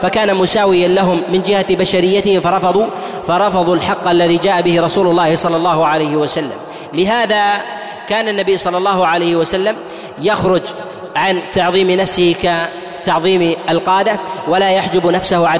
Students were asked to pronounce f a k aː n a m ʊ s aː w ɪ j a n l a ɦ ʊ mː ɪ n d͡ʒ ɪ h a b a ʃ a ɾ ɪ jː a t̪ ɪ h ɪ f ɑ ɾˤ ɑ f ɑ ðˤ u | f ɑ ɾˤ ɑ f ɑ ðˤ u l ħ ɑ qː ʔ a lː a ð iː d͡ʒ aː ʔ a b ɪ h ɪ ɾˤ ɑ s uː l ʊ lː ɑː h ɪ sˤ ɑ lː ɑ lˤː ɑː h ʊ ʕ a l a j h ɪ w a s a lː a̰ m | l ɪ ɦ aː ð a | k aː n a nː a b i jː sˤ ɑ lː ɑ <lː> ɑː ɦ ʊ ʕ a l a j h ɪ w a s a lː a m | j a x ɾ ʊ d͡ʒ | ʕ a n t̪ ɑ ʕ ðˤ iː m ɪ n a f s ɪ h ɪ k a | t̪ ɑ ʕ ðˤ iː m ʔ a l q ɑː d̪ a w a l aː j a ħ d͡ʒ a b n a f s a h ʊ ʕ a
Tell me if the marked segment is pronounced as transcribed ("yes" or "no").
yes